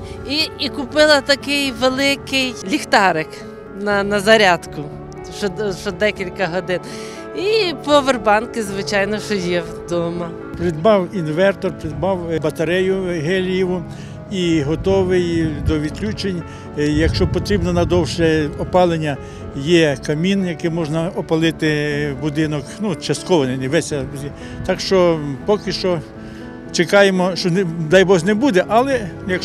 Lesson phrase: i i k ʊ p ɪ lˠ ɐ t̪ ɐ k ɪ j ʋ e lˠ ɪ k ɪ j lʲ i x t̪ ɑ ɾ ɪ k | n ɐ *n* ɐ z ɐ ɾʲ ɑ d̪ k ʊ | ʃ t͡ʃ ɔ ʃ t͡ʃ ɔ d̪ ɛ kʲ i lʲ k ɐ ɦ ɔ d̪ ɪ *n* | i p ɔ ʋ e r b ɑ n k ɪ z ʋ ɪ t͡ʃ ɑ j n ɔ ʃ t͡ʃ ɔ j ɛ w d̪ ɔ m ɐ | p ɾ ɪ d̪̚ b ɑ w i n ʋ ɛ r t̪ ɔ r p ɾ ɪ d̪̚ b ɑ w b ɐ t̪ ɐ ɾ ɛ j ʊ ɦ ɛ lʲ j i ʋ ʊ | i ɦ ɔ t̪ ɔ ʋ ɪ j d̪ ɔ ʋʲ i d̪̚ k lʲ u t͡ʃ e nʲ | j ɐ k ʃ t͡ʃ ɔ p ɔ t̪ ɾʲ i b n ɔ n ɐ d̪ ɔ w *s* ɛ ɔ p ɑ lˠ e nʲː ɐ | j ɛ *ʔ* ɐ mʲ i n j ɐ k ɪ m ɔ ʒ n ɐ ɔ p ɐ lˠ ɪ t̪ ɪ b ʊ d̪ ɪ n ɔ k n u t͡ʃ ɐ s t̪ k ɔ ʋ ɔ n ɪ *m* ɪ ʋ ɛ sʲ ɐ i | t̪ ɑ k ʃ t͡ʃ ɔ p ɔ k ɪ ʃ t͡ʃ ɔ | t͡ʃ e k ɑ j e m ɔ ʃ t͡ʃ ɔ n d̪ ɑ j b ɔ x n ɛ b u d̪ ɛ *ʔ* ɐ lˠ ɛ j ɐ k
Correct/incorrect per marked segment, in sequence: correct, correct, incorrect: ʃ, incorrect: k, incorrect: n, correct

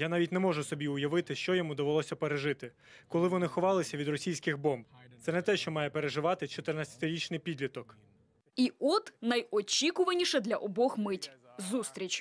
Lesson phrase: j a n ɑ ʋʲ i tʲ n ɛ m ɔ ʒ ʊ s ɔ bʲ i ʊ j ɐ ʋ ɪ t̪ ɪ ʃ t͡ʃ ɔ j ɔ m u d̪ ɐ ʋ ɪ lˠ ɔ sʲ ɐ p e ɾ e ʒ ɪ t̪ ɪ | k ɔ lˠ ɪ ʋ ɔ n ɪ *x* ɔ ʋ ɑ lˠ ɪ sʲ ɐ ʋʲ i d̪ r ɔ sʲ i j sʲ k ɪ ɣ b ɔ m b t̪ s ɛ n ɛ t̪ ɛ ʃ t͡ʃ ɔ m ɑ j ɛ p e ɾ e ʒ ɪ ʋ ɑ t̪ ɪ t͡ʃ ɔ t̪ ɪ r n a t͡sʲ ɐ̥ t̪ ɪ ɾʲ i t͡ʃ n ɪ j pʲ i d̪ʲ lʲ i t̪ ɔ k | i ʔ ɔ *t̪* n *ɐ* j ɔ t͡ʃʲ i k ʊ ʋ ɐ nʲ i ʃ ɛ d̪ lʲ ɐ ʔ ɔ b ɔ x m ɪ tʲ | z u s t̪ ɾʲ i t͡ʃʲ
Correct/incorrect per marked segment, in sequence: correct, correct, correct

